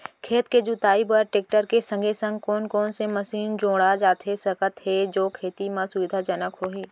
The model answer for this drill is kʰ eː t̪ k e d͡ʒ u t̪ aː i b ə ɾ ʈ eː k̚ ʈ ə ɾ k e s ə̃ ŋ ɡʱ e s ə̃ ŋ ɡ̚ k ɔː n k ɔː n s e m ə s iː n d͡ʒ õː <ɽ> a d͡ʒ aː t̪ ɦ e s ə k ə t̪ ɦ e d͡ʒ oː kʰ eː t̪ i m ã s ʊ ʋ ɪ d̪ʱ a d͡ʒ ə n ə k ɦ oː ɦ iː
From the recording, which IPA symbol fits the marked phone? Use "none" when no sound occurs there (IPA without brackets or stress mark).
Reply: ɽ